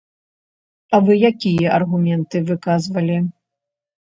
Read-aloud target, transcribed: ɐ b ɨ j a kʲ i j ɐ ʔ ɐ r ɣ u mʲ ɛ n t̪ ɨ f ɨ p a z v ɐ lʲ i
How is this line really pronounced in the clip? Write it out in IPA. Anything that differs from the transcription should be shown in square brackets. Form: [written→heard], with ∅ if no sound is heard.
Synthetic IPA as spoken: ɐ [b→v] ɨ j a kʲ i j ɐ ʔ ɐ r ɣ u mʲ ɛ n t̪ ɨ [f→v] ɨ [p→k] a z v ɐ lʲ i